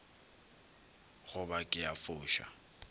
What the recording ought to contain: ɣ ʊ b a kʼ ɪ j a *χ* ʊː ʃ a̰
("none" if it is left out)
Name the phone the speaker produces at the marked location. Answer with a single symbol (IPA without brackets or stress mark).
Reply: f